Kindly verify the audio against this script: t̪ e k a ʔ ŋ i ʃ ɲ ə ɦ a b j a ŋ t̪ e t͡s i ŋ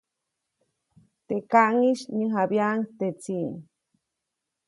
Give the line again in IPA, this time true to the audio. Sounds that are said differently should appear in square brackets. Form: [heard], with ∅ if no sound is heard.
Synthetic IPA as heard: t̪ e k a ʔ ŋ i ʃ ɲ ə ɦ a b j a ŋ t̪ e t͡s i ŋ